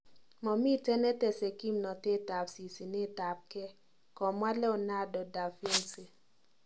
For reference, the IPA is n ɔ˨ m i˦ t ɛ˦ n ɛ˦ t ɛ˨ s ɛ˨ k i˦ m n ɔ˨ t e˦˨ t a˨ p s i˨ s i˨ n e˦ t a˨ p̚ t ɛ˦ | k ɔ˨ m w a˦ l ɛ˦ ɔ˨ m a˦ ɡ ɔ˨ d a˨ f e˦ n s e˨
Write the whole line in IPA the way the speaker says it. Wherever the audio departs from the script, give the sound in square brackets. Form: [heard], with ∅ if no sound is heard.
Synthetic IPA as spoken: [m] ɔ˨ m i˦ t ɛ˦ n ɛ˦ t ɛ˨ s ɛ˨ k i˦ m n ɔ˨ t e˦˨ t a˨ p s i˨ s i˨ n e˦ t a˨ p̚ [k] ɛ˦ | k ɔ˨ m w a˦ l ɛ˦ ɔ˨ [n] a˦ [d] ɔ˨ d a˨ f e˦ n s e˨